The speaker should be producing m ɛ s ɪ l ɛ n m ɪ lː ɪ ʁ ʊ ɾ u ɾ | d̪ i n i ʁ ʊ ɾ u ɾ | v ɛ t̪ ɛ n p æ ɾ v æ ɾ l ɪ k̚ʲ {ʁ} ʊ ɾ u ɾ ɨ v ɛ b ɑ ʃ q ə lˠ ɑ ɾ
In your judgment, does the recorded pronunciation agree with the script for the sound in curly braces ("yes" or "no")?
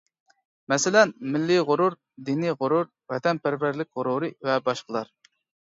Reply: yes